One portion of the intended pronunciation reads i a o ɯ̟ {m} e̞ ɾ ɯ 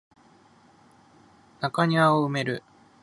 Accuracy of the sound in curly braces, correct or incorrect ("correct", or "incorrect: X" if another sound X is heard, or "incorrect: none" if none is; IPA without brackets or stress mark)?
correct